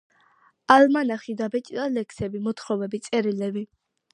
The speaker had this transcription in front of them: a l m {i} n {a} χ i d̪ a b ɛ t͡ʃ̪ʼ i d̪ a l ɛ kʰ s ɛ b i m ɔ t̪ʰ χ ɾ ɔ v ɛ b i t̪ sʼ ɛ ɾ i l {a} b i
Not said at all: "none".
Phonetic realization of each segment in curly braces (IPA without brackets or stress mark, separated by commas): a, a, ɛ